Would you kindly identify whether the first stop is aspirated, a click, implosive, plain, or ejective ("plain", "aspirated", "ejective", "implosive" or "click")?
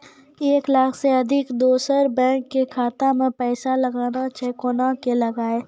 plain